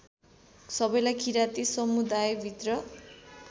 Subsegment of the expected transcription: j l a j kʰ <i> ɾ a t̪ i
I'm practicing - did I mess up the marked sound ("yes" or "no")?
no